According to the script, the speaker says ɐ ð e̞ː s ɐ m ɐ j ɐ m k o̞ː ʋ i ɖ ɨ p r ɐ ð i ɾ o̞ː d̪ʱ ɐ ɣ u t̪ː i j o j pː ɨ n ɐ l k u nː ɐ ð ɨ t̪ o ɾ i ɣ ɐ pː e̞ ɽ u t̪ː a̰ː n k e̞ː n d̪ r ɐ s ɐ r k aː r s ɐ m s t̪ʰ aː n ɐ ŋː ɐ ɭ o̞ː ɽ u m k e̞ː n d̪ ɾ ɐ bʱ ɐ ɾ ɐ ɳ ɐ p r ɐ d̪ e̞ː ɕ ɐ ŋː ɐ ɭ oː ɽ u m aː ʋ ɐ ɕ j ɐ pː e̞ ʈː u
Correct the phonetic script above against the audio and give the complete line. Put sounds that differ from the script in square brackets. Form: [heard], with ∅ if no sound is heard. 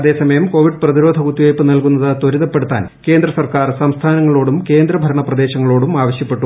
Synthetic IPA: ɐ ð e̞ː s ɐ m ɐ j ɐ m k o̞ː ʋ i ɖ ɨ p r ɐ ð i ɾ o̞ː d̪ʱ ɐ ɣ u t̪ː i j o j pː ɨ n ɐ l k u nː ɐ ð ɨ t̪ o ɾ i [ð] ɐ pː e̞ ɽ u t̪ː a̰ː n k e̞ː n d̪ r ɐ s ɐ r k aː r s ɐ m s t̪ʰ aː n ɐ ŋː ɐ ɭ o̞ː ɽ u m k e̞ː n d̪ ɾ ɐ bʱ ɐ ɾ ɐ ɳ ɐ p r ɐ d̪ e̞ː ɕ ɐ ŋː ɐ ɭ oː ɽ u m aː ʋ ɐ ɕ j ɐ pː e̞ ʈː u